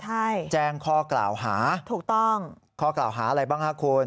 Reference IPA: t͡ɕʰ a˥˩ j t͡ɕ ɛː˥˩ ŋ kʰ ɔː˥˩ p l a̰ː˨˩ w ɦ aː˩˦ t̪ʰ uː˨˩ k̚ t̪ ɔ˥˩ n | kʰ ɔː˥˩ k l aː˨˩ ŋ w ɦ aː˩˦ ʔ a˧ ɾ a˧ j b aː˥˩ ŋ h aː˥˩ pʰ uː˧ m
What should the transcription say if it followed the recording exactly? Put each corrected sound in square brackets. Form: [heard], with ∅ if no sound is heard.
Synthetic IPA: t͡ɕʰ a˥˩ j t͡ɕ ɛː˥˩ ŋ kʰ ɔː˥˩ [k] l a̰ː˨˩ w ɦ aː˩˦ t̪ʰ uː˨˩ k̚ t̪ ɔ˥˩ [ŋ] | kʰ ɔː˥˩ k l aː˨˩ [∅] w ɦ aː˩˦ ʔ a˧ ɾ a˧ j b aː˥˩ ŋ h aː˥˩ [kʰ] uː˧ [n]